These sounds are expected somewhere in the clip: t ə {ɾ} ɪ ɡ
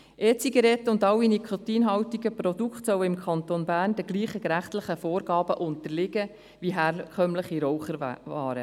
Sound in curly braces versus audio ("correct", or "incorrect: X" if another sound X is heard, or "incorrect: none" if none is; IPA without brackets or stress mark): incorrect: l